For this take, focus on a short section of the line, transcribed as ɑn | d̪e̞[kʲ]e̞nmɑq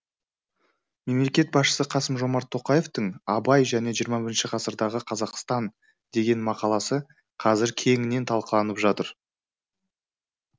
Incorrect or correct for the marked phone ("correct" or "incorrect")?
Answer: incorrect